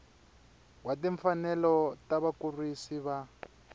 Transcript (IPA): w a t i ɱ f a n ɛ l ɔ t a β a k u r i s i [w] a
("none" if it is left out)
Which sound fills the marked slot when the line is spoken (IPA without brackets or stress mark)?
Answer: β